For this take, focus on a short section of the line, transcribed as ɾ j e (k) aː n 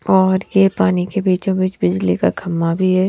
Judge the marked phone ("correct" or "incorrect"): incorrect